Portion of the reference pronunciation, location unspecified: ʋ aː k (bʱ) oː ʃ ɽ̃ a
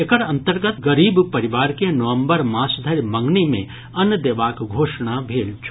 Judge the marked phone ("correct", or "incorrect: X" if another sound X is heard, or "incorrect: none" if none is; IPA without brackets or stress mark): incorrect: ɡʱ